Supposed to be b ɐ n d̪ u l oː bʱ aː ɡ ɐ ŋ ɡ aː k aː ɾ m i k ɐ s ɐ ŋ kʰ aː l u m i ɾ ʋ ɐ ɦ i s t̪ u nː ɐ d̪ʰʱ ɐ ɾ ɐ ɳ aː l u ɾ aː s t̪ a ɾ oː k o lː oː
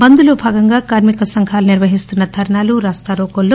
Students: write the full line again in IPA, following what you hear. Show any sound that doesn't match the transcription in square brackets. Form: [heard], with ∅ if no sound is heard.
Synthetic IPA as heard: b ɐ n d̪ u l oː bʱ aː ɡ ɐ ŋ ɡ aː k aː ɾ m i k ɐ s ɐ ŋ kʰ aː l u [n] i ɾ ʋ ɐ ɦ i s t̪ u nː ɐ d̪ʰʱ ɐ ɾ ɐ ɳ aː l u ɾ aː s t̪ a ɾ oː k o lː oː